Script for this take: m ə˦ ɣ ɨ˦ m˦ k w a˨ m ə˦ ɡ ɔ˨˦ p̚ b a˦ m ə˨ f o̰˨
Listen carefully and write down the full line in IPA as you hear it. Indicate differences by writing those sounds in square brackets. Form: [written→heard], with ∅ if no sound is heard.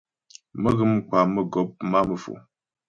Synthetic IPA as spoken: m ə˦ ɣ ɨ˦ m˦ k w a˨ m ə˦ ɡ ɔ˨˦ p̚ [b→m] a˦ m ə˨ f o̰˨